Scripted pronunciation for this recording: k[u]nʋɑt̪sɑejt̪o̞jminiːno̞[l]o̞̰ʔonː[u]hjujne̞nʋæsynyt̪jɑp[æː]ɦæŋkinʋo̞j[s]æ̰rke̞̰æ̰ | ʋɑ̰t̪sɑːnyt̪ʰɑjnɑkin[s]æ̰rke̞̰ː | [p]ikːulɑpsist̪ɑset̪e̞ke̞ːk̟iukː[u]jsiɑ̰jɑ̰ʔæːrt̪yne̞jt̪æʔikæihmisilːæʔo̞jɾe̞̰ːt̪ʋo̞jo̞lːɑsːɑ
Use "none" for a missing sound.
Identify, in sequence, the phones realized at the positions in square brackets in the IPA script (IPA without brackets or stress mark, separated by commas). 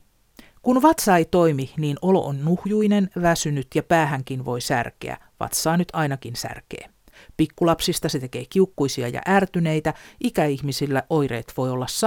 u, l, u, æː, s, s, p, u